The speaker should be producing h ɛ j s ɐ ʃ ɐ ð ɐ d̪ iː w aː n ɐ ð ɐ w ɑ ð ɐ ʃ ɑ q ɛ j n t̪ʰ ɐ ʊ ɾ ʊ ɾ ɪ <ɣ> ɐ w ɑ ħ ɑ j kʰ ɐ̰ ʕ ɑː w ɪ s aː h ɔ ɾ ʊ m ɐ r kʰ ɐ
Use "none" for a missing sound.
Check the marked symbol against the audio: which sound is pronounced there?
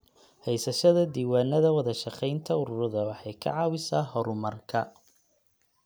ð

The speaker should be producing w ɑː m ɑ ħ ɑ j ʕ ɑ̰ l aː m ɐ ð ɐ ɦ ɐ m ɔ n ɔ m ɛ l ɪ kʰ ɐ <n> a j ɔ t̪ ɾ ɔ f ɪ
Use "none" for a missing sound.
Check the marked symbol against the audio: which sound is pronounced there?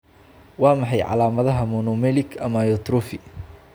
m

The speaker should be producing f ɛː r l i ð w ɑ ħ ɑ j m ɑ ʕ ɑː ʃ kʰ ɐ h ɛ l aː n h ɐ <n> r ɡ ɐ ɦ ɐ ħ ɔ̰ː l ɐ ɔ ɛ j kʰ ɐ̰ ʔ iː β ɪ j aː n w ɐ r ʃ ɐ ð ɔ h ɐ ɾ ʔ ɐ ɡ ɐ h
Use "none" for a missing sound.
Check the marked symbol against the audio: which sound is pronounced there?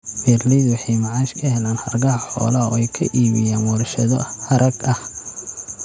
none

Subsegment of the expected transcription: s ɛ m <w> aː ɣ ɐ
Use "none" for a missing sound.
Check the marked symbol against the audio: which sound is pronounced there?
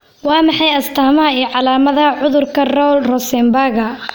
b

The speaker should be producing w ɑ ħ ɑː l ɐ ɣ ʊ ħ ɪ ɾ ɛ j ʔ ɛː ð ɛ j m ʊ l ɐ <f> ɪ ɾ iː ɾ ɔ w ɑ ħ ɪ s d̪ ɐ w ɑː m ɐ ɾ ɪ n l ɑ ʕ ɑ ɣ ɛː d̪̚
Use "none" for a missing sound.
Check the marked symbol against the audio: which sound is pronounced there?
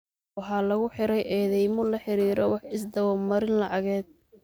ħ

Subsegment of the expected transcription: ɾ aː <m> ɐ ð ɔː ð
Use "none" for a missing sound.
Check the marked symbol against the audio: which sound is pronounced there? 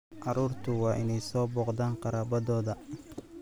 b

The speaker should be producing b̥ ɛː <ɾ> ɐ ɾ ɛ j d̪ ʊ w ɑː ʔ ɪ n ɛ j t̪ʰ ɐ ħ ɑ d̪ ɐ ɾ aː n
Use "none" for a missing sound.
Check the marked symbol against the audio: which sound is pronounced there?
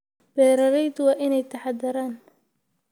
ɾ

